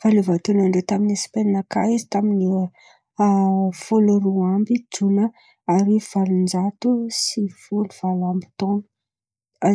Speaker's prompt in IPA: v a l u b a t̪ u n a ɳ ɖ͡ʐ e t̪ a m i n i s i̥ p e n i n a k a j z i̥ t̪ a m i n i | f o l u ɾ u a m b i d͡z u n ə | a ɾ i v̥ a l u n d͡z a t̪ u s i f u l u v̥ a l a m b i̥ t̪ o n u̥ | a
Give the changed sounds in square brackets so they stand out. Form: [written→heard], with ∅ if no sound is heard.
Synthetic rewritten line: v a l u [b→v] a t̪ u n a ɳ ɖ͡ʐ e t̪ a m i n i s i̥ p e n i n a k a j z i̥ t̪ a m i n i | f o l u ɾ u a m b i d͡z u n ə | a ɾ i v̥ a l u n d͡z a t̪ u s i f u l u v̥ a l a m b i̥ t̪ o n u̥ | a

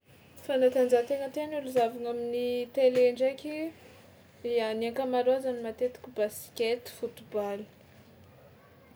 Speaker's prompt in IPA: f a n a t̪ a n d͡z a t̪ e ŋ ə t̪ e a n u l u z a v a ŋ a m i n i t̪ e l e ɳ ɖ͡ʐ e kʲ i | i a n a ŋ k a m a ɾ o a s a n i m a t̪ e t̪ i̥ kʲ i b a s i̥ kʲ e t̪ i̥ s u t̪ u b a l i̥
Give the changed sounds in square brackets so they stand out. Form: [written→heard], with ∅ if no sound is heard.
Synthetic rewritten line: f a n a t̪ a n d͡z a t̪ e ŋ ə t̪ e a n u l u z a v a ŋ a m i n i t̪ e l e ɳ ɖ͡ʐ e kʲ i | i a n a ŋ k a m a ɾ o a [s→z] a n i m a t̪ e t̪ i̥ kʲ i b a s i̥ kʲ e t̪ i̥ [s→f] u t̪ u b a l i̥

